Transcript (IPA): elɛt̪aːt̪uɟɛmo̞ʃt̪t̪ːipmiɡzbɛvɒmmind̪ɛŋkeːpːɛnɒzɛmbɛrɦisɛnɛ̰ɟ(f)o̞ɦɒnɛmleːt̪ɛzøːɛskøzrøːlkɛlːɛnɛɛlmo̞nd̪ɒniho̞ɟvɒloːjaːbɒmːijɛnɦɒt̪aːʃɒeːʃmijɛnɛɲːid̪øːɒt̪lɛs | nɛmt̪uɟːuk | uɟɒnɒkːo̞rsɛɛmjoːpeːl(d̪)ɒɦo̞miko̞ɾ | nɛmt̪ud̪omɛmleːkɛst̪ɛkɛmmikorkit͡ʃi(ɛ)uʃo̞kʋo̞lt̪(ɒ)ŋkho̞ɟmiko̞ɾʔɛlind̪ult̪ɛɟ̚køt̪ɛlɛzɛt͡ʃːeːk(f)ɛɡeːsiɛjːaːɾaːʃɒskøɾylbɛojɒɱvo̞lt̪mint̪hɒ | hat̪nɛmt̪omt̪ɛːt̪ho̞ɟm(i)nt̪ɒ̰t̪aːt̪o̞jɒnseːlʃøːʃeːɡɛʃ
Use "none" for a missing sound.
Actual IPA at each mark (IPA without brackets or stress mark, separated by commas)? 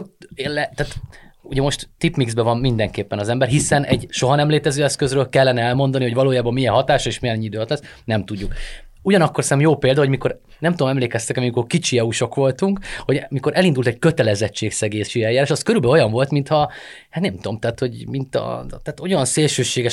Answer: ʃ, d̪, ɛ, u, s, i